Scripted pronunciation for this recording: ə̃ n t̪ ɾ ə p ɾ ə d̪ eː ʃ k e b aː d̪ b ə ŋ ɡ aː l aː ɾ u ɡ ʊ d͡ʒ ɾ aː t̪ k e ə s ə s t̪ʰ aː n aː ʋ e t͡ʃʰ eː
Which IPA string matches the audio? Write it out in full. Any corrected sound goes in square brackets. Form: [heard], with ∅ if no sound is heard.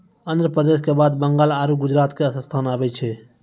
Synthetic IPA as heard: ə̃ n [d̪] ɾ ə p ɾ ə d̪ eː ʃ k e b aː d̪ b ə ŋ ɡ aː l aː ɾ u ɡ ʊ d͡ʒ ɾ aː t̪ k e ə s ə s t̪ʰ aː n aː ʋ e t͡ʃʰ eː